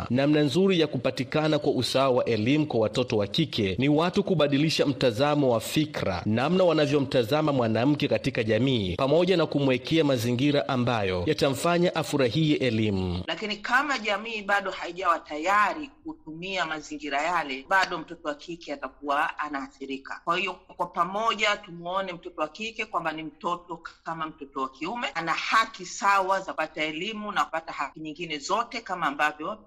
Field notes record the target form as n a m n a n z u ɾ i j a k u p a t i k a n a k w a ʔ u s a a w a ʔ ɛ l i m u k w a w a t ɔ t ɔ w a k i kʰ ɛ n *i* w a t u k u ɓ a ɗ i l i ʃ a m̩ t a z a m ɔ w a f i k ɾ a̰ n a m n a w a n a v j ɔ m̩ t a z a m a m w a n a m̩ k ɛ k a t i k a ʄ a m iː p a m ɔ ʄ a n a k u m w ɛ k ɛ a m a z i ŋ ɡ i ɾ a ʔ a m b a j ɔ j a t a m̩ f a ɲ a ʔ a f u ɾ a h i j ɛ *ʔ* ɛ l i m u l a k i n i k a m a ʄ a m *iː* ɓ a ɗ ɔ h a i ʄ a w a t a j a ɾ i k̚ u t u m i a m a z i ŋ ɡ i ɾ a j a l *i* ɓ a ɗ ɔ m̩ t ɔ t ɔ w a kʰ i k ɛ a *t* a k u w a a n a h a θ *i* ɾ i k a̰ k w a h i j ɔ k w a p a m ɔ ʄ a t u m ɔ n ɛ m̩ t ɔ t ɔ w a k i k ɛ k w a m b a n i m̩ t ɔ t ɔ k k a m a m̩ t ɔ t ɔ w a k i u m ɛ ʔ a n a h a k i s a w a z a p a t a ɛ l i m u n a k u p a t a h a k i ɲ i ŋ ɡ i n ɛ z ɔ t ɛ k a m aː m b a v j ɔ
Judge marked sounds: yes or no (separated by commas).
yes, yes, yes, no, yes, yes